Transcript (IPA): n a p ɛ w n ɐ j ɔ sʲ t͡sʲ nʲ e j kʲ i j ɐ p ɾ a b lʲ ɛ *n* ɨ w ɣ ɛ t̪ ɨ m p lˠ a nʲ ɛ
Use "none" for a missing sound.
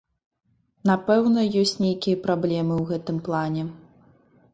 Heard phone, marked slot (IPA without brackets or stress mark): m